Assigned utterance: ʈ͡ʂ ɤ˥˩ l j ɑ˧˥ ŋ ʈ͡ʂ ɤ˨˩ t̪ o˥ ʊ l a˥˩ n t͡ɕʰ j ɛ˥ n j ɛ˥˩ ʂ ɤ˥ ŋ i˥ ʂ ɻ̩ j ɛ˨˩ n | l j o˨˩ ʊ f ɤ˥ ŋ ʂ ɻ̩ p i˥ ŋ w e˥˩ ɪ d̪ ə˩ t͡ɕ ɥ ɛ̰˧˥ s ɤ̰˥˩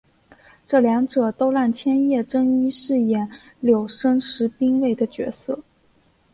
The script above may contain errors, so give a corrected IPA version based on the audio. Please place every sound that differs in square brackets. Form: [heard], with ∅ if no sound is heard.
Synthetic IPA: ʈ͡ʂ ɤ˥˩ l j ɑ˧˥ ŋ ʈ͡ʂ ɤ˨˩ t̪ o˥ ʊ l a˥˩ n t͡ɕʰ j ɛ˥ n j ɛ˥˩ [ʈ͡ʂ] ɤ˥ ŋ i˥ ʂ ɻ̩ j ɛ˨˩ n | l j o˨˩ ʊ [ʂ] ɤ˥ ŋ ʂ ɻ̩ p i˥ ŋ w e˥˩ ɪ d̪ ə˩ t͡ɕ ɥ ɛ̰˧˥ s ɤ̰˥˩